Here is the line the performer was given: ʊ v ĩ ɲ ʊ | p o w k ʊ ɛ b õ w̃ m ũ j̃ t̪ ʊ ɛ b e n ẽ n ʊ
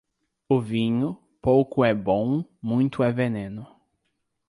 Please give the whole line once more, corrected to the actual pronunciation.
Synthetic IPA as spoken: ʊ v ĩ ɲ ʊ | p o w k ʊ ɛ b õ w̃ m ũ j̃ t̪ ʊ ɛ v e n ẽ n ʊ